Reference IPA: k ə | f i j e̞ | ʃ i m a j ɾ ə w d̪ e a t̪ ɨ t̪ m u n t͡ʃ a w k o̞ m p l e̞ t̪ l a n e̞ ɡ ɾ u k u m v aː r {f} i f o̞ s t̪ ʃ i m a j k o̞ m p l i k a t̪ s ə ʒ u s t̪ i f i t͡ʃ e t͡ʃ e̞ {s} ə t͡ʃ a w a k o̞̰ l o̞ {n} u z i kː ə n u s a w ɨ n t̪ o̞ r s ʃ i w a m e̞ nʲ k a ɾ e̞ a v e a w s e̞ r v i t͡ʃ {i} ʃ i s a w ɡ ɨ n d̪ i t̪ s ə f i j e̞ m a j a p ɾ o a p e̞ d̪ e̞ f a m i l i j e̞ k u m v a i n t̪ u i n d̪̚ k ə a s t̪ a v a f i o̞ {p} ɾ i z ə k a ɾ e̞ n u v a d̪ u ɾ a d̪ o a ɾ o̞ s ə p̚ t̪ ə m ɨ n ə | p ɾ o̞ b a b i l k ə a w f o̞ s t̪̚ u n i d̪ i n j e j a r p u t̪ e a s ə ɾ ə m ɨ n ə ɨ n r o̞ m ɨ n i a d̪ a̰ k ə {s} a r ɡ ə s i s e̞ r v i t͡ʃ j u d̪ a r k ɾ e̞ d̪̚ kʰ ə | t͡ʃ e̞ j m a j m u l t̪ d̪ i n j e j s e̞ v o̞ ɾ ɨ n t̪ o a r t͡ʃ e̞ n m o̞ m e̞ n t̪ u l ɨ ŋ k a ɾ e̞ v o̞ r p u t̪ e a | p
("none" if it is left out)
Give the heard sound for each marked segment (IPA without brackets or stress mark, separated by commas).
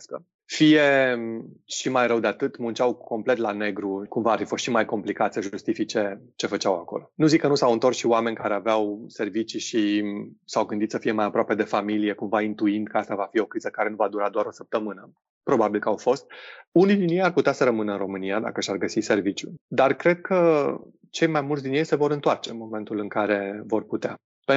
f, f, n, i, k, ʃ